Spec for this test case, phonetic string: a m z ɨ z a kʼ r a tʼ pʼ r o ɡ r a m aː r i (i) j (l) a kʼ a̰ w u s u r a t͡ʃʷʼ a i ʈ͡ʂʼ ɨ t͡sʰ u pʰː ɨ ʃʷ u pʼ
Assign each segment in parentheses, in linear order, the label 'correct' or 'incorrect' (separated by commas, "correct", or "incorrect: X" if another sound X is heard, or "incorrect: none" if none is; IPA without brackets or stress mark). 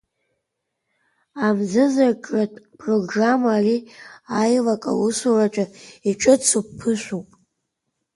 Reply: incorrect: a, correct